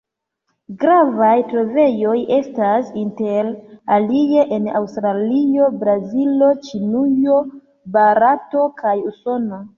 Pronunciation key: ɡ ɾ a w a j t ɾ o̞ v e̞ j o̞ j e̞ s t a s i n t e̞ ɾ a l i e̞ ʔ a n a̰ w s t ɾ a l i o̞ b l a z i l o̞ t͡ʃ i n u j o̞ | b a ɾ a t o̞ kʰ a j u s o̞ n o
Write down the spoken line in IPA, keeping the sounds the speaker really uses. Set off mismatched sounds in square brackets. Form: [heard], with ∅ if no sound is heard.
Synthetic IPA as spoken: ɡ ɾ a [v] a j t ɾ o̞ v e̞ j o̞ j e̞ s t a s i n t e̞ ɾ a l i e̞ ʔ [e] n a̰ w s t ɾ a l i o̞ b [ɾ] a z i l o̞ t͡ʃ i n u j o̞ | b a ɾ a t o̞ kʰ a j u s o̞ n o

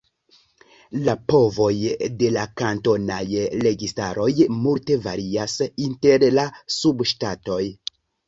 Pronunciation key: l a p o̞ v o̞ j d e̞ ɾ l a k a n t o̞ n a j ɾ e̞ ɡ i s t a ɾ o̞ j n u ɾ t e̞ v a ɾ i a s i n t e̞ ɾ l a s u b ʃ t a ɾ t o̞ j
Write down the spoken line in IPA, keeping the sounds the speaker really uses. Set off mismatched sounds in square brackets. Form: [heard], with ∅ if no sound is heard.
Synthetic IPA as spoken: l a p o̞ v o̞ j d e̞ [∅] l a k a n t o̞ n a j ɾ e̞ ɡ i s t a ɾ o̞ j [m] u [l] t e̞ v a ɾ i a s i n t e̞ ɾ l a s u b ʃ t a [∅] t o̞ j

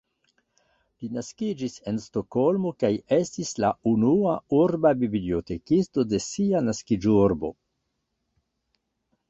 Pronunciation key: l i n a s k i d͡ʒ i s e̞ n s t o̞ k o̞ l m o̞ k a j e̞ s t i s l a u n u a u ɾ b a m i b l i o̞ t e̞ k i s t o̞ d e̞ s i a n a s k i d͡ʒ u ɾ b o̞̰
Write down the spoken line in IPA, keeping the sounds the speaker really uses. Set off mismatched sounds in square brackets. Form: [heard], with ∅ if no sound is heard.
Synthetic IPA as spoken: l i n a s k i d͡ʒ i s e̞ n s t o̞ k o̞ l m o̞ k a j e̞ s t i s l a u n u a u ɾ b a [b] i b l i o̞ t e̞ k i s t o̞ d e̞ s i a n a s k i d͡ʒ u ɾ b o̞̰

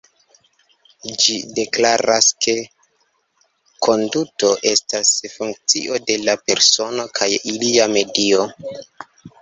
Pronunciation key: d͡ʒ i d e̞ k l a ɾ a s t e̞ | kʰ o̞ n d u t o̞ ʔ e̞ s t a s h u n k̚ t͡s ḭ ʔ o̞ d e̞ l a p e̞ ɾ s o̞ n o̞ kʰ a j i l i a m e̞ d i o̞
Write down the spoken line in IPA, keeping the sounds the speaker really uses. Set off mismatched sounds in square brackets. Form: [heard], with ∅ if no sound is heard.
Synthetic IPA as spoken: d͡ʒ i d e̞ k l a ɾ a s [k] e̞ | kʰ o̞ n d u t o̞ ʔ e̞ s t a s [f] u [ŋ] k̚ t͡s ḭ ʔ o̞ d e̞ l a p e̞ ɾ s o̞ n o̞ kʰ a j i l i a m e̞ d i o̞

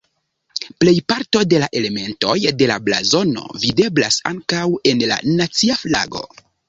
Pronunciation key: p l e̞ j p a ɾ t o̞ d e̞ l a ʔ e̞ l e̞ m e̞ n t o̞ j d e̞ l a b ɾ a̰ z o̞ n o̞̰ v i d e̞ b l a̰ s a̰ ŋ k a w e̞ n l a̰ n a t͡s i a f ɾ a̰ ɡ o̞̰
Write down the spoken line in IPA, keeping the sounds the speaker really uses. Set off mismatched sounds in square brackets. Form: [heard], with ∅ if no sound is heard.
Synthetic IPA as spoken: p l e̞ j p a ɾ t o̞ d e̞ l a ʔ e̞ l e̞ m e̞ n t o̞ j d e̞ l a b [l] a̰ z o̞ n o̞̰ v i d e̞ b l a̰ s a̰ ŋ k a w e̞ n l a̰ n a t͡s i a f [l] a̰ ɡ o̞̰

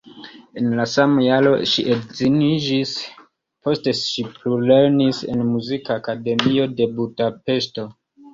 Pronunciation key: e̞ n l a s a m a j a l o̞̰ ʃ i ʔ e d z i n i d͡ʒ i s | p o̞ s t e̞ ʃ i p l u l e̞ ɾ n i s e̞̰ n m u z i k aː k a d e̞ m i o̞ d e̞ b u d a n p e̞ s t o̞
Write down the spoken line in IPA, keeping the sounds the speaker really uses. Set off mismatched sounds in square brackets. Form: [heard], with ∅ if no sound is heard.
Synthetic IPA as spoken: e̞ n l a s a m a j a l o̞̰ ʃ i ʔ e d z i n i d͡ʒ i s | p o̞ s t e̞ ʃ i p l u l e̞ ɾ n i s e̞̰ n m u z i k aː k a d e̞ m i o̞ d e̞ b u d a [∅] p e̞ s t o̞

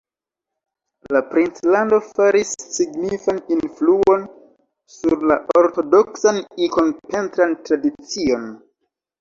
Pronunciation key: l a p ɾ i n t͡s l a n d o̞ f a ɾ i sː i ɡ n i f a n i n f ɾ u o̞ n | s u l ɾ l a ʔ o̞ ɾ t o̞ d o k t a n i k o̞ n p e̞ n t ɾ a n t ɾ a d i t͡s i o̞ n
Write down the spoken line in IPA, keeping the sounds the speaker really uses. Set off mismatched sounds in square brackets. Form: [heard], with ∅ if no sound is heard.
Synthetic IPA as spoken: l a p ɾ i n t͡s l a n d o̞ f a ɾ i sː i ɡ n i f a n i n f [l] u o̞ n | s u [∅] ɾ l a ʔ o̞ ɾ t o̞ d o k [s] a n i k o̞ n p e̞ n t ɾ a n t ɾ a d i t͡s i o̞ n

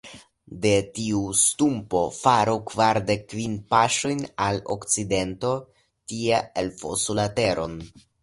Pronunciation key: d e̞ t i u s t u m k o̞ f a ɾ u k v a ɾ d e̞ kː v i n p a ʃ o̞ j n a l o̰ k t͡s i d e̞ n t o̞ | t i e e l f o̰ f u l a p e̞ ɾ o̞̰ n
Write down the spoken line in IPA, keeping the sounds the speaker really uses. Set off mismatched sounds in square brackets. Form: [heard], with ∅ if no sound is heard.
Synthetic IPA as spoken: d e̞ t i u s t u m [p] o̞ f a ɾ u k v a ɾ d e̞ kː v i n p a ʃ o̞ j n a l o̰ k t͡s i d e̞ n t o̞ | t i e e l f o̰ [s] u l a [t] e̞ ɾ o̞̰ n

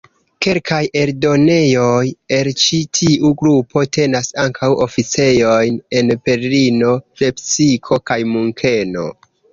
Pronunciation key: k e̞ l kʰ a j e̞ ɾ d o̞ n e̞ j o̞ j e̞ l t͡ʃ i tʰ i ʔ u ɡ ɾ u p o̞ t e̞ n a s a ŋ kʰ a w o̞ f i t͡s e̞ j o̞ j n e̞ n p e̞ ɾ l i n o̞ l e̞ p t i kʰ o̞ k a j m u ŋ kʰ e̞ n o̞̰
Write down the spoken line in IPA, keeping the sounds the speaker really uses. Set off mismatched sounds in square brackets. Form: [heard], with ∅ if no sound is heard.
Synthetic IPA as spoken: k e̞ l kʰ a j e̞ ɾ d o̞ n e̞ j o̞ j e̞ l t͡ʃ i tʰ i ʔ u ɡ ɾ u p o̞ t e̞ n a s a ŋ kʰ a w o̞ f i t͡s e̞ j o̞ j n e̞ n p e̞ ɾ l i n o̞ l e̞ p [s] i kʰ o̞ k a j m u ŋ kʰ e̞ n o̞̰

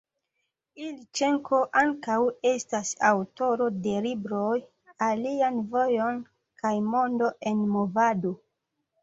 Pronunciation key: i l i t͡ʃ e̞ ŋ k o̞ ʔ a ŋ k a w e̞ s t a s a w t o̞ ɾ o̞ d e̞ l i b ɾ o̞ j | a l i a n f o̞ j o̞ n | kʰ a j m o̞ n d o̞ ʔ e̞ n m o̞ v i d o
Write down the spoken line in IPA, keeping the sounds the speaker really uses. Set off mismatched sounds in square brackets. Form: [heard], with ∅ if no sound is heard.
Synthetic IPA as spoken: i l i t͡ʃ e̞ ŋ k o̞ ʔ a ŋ k a w e̞ s t a s a w t o̞ ɾ o̞ d e̞ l i b ɾ o̞ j | a l i a n [v] o̞ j o̞ n | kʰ a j m o̞ n d o̞ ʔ e̞ n m o̞ v [a] d o

